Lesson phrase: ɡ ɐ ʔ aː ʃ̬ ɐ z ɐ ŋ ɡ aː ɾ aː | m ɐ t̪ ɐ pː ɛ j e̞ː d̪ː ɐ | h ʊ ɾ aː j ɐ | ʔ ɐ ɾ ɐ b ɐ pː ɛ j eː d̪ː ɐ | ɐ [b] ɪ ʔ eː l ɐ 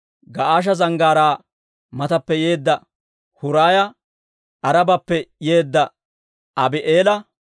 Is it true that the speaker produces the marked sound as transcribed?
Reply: yes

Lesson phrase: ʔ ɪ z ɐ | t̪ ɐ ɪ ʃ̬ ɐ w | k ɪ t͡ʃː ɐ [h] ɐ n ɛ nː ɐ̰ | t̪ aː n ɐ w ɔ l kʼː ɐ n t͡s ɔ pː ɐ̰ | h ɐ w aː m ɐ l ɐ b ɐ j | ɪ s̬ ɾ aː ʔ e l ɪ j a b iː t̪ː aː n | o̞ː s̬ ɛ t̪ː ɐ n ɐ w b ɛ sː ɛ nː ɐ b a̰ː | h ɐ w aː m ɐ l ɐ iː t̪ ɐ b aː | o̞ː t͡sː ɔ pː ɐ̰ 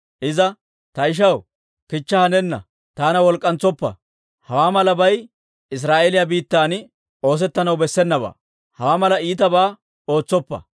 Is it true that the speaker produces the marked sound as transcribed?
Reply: yes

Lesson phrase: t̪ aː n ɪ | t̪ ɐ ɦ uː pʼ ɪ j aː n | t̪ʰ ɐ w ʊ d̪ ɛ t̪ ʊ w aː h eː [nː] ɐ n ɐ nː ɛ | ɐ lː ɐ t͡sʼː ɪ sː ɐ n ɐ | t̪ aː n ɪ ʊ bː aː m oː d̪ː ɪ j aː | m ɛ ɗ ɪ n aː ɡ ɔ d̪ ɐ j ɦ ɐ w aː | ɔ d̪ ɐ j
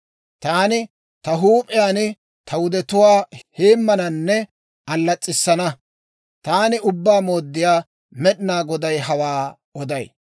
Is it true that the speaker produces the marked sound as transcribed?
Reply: no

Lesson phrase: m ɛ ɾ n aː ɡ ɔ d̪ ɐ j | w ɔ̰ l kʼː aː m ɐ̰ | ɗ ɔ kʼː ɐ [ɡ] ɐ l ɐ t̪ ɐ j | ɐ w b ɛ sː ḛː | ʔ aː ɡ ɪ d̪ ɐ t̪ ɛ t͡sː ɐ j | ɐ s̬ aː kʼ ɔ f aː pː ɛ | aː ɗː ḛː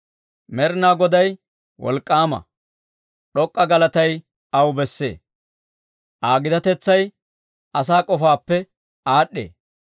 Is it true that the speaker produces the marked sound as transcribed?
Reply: yes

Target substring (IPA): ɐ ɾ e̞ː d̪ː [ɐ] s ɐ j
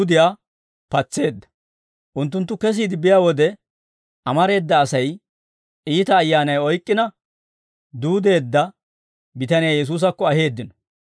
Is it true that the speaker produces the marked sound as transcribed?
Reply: no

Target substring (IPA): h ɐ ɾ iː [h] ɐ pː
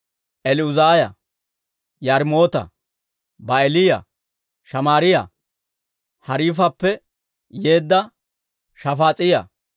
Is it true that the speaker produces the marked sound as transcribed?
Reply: no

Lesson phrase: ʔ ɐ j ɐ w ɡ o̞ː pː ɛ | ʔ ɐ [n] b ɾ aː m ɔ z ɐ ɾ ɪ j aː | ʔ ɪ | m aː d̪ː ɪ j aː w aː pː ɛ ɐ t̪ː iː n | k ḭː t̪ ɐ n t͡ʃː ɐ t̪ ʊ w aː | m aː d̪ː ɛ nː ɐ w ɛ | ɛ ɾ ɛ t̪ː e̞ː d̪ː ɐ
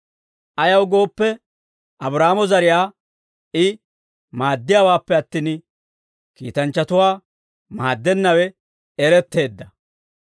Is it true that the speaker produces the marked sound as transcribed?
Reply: no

